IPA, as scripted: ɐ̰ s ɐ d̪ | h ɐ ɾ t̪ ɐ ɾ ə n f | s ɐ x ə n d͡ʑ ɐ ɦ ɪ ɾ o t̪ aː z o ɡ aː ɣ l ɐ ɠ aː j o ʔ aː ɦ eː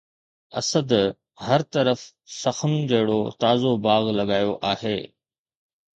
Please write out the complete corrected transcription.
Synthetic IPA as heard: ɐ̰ s ə d̪ | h ɐ ɾ t̪ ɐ ɾ ə f | s ɐ x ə n d͡ʑ ɐ ɦ ɪ ɽ o t̪ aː z o b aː ɣ l ɐ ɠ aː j o ʔ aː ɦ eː